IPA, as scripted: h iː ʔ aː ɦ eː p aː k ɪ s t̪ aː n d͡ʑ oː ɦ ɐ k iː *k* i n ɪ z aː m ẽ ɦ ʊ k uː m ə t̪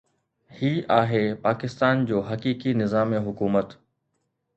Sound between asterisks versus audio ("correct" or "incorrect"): correct